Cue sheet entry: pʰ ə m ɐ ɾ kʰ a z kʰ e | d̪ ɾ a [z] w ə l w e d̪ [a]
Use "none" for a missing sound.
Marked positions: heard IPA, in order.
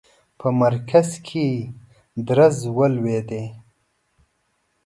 z, e

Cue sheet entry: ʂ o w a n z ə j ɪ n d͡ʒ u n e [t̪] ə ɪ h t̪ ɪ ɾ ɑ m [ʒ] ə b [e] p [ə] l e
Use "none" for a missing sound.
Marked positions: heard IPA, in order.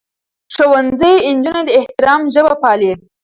d̪, ʒ, a, ɑ

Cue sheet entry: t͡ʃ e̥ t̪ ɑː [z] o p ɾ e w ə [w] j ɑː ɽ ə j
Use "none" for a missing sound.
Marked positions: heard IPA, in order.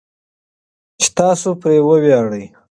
s, w

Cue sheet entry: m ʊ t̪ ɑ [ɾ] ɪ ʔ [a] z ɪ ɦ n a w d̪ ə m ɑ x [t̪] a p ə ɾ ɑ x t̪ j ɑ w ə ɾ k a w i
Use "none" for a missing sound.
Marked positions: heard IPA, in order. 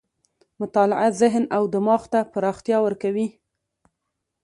l, a, t̪

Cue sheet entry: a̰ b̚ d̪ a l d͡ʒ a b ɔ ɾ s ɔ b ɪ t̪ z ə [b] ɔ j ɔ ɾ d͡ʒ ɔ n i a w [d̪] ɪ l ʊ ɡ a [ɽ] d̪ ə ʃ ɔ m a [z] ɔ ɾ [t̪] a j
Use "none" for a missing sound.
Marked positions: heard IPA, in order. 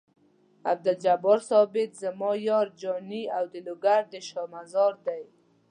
m, d̪, ɾ, z, d̪

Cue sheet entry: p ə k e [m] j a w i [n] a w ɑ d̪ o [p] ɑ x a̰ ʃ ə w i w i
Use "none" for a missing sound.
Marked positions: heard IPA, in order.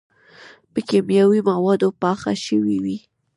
m, m, p

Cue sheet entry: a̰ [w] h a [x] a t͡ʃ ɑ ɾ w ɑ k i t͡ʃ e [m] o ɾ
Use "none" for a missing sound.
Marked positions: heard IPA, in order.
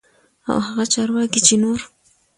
w, ɣ, n

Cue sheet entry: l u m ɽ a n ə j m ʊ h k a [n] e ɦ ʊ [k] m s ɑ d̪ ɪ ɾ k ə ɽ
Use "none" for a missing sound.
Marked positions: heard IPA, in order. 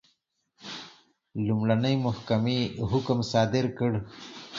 m, k

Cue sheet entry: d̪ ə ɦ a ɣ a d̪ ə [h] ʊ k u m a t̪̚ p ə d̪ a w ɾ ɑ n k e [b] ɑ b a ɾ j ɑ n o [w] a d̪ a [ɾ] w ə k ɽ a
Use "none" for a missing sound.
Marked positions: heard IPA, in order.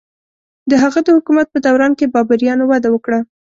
h, b, w, none

